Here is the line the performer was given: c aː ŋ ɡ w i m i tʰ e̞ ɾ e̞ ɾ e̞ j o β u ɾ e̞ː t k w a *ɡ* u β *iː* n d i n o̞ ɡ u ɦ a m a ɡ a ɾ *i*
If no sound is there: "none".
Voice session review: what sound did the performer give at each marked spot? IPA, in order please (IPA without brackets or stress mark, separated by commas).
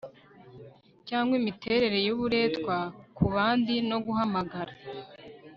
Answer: k, aː, a